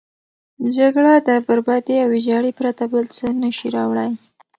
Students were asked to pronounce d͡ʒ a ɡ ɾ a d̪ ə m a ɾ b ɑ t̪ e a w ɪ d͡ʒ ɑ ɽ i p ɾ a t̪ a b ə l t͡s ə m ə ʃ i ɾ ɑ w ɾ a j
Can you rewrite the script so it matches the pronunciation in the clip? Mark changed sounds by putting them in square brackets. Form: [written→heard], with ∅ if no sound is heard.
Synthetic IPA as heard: d͡ʒ a ɡ [ɾ→ɽ] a d̪ ə [m→b] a ɾ b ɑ [t̪→d̪] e a w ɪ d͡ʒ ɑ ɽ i p ɾ a t̪ a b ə l t͡s ə [m→n] ə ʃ i ɾ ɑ w [ɾ→ɽ] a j